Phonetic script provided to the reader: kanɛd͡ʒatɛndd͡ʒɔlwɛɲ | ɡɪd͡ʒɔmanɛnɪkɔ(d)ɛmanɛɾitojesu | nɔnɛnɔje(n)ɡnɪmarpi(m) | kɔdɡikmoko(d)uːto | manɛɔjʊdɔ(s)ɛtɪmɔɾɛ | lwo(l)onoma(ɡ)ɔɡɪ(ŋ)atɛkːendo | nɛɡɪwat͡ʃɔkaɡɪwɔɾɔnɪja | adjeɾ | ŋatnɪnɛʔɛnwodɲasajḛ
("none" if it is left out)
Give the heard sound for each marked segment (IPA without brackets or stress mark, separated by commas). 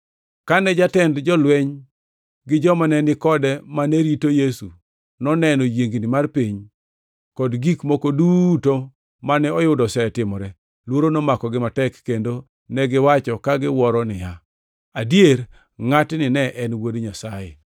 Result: d, ŋ, ɲ, d, s, ɾ, k, m